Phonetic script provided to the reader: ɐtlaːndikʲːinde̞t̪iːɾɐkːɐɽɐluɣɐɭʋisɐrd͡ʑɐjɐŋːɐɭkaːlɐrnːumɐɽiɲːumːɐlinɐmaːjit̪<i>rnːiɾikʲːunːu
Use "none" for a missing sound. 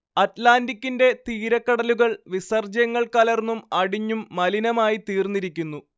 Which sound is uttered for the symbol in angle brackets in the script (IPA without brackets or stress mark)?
iː